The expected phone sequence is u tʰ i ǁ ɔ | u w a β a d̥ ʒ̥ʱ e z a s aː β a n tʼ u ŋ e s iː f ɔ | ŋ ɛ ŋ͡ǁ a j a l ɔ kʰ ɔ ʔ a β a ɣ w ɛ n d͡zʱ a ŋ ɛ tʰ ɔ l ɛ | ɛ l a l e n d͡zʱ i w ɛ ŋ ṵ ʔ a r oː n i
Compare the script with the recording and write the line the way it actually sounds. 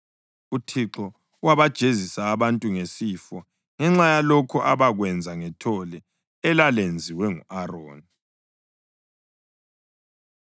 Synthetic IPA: u tʰ i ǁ ɔ | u w a β a d̥ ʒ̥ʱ e z i s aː β a n tʼ u ŋ e s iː f ɔ | ŋ ɛ ŋ͡ǁ a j a l ɔ kʰ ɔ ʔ a β a ɣ w ɛ n d͡zʱ a ŋ ɛ tʰ ɔ l ɛ | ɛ l a l e n d͡zʱ i w ɛ ŋ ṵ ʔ a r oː n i